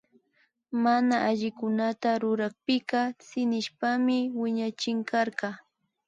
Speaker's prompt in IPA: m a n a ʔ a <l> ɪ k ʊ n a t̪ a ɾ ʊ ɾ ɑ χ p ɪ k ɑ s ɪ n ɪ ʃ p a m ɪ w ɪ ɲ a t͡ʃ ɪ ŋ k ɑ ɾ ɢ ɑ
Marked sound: incorrect: ʎ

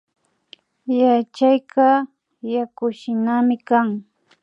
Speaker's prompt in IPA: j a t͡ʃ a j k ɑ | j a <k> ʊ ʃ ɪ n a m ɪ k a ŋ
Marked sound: correct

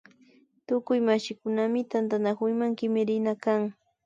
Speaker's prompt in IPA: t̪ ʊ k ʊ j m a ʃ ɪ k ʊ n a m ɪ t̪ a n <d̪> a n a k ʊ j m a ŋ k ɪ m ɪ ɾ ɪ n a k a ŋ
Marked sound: incorrect: t̪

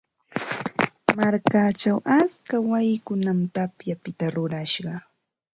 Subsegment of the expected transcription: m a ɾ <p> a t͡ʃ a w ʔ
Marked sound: incorrect: k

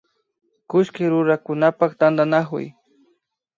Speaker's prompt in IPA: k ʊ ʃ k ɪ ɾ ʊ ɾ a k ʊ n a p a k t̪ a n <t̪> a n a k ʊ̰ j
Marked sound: incorrect: d̪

